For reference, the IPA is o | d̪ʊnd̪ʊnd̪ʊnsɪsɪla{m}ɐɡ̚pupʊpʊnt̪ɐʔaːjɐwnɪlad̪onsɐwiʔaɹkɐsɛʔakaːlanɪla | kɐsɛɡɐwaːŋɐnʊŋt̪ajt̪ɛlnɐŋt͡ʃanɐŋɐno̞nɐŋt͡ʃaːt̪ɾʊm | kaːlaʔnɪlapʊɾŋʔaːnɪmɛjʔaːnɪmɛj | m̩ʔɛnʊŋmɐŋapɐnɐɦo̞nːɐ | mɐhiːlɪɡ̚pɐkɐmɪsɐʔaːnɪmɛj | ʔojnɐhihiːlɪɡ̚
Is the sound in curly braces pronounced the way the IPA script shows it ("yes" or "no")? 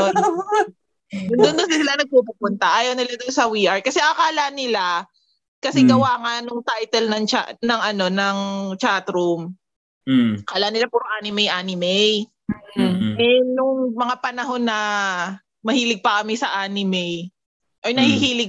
no